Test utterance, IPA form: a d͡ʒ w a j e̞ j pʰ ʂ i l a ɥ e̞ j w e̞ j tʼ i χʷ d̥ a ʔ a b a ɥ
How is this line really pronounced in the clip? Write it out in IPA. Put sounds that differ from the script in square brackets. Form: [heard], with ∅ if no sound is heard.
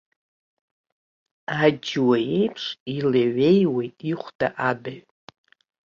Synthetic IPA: a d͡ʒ w a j e̞ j pʰ ʂ i l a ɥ e̞ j w e̞ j tʼ i χʷ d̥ a ʔ a b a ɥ